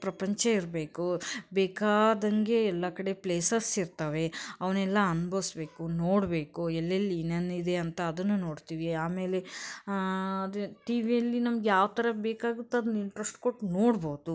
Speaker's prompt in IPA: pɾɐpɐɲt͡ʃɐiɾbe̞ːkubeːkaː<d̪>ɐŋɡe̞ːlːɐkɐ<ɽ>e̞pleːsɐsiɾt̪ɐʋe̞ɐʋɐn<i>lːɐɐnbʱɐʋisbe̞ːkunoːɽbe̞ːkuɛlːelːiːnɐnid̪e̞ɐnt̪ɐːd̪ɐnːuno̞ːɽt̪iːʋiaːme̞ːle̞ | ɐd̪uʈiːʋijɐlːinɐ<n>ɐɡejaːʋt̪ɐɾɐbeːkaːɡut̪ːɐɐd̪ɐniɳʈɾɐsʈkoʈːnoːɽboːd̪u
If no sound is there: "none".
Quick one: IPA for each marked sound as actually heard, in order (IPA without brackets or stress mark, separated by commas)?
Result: d̪, ɽ, ɛ, m